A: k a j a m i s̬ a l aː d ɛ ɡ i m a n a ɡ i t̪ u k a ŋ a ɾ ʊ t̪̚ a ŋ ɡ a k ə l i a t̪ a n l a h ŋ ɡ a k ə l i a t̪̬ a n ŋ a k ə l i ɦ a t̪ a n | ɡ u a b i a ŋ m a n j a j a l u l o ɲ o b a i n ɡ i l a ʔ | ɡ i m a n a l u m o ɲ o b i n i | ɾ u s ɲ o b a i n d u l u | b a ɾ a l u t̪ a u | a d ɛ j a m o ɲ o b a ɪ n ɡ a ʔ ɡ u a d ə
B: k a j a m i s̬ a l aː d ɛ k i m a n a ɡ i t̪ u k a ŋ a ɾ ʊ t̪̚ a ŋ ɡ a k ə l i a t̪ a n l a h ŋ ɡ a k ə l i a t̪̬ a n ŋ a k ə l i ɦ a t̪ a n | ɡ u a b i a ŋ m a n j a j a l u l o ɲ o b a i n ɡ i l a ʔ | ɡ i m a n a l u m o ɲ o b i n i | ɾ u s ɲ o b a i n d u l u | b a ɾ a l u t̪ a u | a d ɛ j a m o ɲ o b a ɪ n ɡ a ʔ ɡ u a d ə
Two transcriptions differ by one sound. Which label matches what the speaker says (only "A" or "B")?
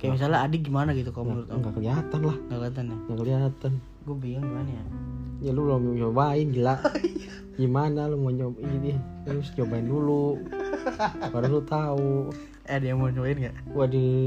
A